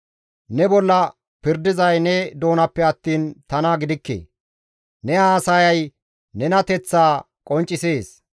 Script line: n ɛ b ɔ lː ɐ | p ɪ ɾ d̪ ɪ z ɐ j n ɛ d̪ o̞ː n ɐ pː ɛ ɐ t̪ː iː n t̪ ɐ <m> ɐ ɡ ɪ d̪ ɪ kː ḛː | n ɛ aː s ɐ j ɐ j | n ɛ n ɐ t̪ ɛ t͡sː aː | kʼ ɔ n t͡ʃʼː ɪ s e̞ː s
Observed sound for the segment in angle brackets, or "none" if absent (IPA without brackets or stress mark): n